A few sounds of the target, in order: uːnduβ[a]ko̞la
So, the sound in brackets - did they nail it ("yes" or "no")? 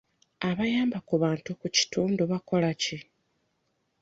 yes